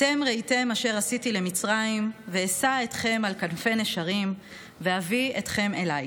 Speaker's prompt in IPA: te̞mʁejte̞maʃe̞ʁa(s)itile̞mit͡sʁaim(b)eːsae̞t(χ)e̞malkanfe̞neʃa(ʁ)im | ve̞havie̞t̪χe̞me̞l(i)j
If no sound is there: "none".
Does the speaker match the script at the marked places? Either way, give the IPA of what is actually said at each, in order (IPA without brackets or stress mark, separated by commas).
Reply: s, v, χ, ʁ, a